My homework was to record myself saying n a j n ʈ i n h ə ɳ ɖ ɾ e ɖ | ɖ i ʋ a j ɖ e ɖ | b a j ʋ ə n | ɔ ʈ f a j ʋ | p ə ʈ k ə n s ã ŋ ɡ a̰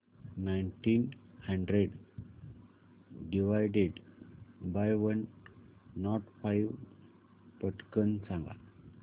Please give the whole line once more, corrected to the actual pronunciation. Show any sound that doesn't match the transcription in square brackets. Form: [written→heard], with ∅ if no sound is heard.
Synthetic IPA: n a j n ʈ i n h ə ɳ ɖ ɾ e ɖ | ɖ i ʋ a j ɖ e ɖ | b a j ʋ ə [n→nː] | ɔ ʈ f a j ʋ | p ə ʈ k ə n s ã ŋ ɡ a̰